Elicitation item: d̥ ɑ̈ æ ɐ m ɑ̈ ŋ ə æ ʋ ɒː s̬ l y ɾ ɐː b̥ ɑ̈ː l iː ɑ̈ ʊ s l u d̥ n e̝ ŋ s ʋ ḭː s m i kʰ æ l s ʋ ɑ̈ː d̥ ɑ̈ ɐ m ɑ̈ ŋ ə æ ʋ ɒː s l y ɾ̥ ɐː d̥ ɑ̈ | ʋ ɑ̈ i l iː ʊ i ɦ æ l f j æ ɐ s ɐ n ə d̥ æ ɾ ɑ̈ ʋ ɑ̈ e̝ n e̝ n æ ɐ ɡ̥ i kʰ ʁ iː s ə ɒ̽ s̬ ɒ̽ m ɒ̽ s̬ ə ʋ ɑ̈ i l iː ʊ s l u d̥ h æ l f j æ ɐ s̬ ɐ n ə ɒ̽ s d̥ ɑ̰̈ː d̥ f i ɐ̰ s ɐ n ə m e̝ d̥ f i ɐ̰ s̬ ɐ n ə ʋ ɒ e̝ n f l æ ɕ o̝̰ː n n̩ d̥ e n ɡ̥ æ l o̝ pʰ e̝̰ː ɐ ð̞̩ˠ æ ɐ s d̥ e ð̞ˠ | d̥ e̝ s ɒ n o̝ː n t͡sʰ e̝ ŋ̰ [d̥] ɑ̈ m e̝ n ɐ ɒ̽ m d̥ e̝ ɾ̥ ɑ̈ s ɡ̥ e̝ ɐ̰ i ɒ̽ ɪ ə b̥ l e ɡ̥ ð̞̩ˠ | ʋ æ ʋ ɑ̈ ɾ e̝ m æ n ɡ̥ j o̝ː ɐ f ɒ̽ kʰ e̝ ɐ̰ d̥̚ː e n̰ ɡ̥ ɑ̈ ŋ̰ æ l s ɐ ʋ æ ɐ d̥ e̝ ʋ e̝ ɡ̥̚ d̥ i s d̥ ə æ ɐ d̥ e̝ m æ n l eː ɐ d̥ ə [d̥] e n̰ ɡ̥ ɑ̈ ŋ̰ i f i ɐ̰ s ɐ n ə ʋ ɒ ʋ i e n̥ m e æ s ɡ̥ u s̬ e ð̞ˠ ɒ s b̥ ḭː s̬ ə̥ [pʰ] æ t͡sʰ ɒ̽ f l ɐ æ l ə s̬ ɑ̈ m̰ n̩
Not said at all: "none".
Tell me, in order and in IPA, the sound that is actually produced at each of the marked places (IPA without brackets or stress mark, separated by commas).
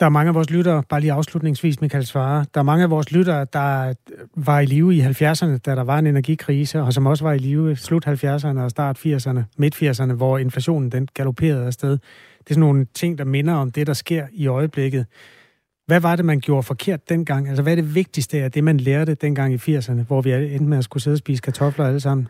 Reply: d̥, d̥, kʰ